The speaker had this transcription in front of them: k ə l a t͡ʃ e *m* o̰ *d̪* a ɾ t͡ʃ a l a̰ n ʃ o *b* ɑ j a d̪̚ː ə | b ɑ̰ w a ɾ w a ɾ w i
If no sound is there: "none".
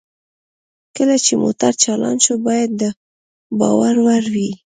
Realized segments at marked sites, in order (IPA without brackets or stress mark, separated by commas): m, t̪, b